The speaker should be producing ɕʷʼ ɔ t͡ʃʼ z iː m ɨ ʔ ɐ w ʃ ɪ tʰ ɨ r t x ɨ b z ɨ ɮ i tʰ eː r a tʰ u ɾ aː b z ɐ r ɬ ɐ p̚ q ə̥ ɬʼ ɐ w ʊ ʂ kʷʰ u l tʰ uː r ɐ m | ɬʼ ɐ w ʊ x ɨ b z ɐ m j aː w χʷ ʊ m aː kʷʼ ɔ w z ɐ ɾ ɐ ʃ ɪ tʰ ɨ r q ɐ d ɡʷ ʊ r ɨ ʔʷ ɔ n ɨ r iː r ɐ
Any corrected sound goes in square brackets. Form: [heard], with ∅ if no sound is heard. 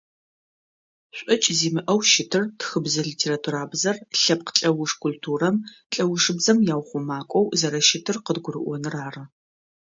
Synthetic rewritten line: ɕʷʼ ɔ t͡ʃʼ z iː m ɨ ʔ ɐ w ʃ ɪ tʰ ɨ r t x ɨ b z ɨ ɮ i tʰ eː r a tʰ u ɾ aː b z ɐ r ɬ ɐ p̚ q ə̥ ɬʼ ɐ w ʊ ʂ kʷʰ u l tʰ uː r ɐ m | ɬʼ ɐ w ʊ [ʂ] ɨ b z ɐ m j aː w χʷ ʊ m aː kʷʼ ɔ w z ɐ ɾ ɐ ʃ ɪ tʰ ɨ r q [ə] d ɡʷ ʊ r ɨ ʔʷ ɔ n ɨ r [aː] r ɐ